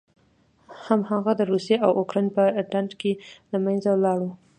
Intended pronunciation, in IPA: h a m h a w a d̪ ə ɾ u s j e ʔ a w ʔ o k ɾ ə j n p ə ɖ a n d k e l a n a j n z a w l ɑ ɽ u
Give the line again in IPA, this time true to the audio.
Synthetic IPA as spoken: h a m h a ɣ a d̪ ə ɾ u s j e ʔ a w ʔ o k ɾ ɑ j n p ə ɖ a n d k e l a m a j n z a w l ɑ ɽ u